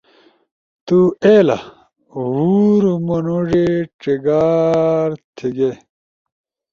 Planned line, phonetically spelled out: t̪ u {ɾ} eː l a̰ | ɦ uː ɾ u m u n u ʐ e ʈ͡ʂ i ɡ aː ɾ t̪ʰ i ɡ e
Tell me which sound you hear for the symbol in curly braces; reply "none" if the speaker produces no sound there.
none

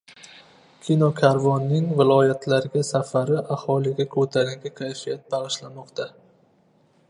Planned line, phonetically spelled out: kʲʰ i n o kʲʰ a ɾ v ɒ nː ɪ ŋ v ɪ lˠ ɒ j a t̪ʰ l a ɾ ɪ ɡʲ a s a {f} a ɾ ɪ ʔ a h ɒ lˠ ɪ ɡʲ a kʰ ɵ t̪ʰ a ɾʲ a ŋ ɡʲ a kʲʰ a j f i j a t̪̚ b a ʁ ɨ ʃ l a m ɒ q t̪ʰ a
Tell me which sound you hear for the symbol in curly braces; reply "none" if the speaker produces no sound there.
f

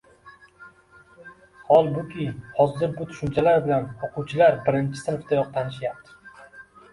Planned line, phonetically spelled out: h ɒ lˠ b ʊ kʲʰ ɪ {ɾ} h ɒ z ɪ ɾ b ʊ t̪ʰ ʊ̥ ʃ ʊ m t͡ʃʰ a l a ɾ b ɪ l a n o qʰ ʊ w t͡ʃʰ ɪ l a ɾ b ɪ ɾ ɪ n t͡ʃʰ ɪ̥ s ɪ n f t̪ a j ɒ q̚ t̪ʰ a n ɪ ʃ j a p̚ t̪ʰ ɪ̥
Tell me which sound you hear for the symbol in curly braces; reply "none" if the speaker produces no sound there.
none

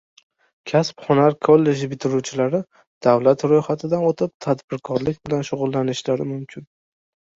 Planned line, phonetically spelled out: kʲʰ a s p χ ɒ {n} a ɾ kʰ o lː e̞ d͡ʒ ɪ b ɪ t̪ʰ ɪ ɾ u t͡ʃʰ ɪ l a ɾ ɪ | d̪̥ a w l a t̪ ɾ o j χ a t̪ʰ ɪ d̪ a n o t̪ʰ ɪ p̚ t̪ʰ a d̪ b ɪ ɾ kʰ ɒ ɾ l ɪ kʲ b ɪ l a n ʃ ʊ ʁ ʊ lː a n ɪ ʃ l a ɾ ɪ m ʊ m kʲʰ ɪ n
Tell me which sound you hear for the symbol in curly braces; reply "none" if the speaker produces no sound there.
n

